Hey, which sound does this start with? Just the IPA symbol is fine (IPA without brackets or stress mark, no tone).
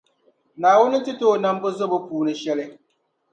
n